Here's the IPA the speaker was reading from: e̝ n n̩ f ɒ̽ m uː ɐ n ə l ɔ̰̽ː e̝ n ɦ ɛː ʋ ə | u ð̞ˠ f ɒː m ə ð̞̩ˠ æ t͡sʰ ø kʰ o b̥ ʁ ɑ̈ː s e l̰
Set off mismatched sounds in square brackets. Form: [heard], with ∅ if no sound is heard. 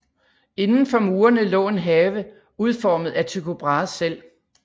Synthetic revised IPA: e̝ n n̩ f ɒ̽ m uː ɐ n ə l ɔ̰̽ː e̝ n ɦ ɛː ʋ ə | u ð̞ˠ f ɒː m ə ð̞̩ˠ æ t͡sʰ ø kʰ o b̥ ʁ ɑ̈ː s e l̰